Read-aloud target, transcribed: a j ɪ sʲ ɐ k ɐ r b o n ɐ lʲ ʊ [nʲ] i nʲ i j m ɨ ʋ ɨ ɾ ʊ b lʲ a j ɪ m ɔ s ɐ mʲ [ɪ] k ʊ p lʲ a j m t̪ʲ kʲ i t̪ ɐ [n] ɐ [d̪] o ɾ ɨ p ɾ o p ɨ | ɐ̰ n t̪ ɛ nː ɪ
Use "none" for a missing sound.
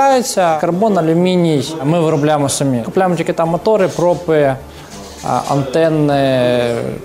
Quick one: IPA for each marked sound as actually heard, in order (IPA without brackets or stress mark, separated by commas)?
mʲ, i, m, t̪